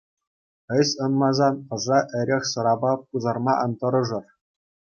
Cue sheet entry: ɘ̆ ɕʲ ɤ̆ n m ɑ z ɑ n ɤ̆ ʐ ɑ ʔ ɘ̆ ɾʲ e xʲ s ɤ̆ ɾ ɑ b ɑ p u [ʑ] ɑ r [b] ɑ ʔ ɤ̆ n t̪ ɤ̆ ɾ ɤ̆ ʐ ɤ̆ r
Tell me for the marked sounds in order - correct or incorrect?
incorrect: z, incorrect: m

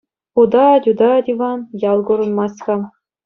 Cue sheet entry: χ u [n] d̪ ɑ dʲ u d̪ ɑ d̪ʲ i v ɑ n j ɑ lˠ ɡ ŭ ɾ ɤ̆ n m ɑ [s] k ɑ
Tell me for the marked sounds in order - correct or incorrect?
incorrect: none, correct

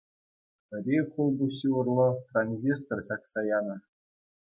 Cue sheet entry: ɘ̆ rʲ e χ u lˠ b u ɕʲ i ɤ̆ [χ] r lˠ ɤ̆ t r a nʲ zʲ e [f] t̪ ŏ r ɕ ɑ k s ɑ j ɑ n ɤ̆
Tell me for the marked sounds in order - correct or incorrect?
incorrect: none, incorrect: s

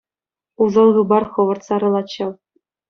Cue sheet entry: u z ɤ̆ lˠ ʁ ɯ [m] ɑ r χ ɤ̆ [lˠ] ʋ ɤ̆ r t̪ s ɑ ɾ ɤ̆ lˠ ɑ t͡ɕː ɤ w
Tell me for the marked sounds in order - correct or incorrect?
incorrect: b, incorrect: none

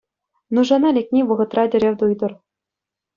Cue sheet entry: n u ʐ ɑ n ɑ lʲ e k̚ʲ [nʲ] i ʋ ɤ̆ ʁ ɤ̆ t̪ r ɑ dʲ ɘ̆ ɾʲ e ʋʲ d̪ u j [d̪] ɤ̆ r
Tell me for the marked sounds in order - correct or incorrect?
correct, correct

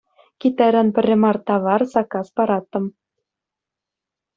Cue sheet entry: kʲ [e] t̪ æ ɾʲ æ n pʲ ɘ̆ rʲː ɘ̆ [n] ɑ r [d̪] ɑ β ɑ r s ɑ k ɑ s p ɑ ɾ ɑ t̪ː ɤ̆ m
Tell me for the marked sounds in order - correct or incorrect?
incorrect: i, incorrect: m, incorrect: t̪

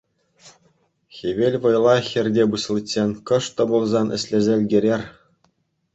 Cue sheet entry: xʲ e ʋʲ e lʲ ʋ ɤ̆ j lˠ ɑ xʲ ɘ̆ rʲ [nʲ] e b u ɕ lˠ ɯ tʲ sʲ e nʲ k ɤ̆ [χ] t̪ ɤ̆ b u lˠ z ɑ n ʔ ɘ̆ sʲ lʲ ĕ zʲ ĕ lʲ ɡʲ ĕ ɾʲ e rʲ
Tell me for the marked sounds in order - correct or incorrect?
incorrect: dʲ, incorrect: ʂ

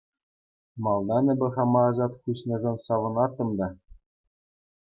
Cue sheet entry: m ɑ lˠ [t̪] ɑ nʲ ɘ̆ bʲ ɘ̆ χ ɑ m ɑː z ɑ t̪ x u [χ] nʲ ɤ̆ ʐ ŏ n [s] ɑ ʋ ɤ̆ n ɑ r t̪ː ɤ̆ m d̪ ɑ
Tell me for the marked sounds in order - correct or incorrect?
incorrect: d̪, incorrect: ɕ, correct

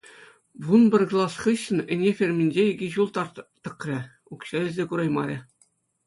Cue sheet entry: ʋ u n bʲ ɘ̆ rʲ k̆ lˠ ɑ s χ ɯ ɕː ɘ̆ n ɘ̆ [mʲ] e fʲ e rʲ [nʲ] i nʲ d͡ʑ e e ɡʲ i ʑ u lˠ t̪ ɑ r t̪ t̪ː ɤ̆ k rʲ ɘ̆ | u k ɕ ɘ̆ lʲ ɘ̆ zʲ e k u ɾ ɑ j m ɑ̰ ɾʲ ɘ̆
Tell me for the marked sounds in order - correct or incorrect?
incorrect: nʲ, incorrect: mʲ

